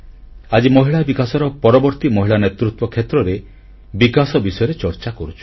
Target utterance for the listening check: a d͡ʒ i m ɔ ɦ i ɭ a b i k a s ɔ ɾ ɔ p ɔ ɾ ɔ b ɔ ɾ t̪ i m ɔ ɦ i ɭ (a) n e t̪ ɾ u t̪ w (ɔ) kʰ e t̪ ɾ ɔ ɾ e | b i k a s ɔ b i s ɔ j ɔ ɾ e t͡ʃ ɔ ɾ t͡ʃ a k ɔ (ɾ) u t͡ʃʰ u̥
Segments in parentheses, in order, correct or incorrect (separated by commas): correct, correct, correct